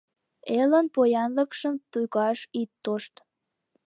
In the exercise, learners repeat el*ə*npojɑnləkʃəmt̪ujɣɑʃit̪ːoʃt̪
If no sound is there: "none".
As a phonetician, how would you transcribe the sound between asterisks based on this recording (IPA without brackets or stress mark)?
ə